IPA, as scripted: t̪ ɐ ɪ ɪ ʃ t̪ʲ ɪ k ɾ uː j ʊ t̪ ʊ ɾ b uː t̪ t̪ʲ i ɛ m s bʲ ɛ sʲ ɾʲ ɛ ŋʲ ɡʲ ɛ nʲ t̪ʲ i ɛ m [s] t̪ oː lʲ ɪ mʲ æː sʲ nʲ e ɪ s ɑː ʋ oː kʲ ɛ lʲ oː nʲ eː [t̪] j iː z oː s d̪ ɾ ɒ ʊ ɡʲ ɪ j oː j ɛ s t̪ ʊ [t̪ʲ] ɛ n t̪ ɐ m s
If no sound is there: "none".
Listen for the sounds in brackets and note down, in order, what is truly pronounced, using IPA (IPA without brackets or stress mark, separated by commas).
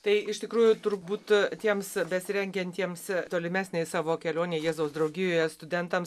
s, none, d̪ʲ